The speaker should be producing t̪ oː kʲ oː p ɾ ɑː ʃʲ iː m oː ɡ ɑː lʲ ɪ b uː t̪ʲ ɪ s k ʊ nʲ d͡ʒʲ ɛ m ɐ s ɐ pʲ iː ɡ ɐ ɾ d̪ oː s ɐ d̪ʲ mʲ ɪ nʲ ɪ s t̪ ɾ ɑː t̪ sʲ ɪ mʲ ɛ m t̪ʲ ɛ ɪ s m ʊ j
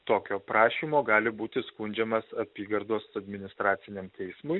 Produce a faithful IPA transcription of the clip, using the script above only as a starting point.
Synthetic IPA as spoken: t̪ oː kʲ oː p ɾ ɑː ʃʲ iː m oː ɡ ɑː lʲ ɪ b uː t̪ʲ ɪ s k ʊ nʲ d͡ʒʲ ɛ m ɐ s ɐ pʲ iː ɡ ɐ ɾ d̪ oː s ɐ d̪ʲ mʲ ɪ nʲ ɪ s t̪ ɾ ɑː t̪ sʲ ɪ nʲ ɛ m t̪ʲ ɛ ɪ s m ʊ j